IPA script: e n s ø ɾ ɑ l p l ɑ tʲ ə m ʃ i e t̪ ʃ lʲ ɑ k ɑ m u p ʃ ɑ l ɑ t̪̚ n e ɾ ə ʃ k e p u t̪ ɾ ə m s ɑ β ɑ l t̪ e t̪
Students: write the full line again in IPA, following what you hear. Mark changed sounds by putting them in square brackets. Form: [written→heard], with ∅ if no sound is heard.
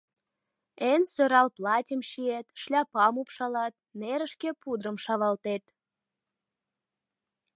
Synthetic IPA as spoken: e n s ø ɾ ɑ l p l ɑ tʲ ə m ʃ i e t̪ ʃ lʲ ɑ [k→p] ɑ m u p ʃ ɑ l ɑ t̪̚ n e ɾ ə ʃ k e p u [t̪→d̪] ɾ ə m [s→ʃ] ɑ β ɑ l t̪ e t̪